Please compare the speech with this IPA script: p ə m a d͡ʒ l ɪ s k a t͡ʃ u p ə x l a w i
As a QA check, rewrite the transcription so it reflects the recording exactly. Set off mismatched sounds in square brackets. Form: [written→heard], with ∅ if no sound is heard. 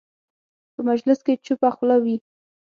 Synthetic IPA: p ə m a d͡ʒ l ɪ s k [a→e] t͡ʃ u p [ə→a] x l a w i